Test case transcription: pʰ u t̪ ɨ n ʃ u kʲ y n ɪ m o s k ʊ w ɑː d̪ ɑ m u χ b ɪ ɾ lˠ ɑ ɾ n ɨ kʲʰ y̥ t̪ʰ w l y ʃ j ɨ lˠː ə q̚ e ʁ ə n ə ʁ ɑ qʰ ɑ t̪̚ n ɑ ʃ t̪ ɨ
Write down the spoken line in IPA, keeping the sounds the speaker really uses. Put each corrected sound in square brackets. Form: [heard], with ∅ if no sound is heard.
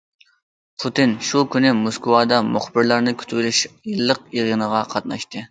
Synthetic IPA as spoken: pʰ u t̪ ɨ n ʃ u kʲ y n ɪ m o s k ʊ w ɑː d̪ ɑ m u χ b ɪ ɾ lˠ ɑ ɾ n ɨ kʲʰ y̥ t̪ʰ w l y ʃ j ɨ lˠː ə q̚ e ʁ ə n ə ʁ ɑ qʰ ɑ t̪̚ n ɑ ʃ t̪ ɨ